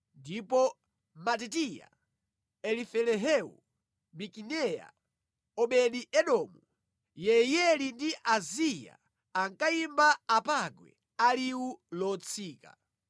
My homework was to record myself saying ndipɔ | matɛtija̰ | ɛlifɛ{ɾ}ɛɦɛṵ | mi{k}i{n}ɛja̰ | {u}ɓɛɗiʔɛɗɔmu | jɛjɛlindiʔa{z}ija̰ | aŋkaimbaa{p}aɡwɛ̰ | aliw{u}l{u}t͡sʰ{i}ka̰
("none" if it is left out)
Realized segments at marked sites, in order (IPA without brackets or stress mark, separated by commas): l, k, n, ɔ, z, p, u, ɔ, iː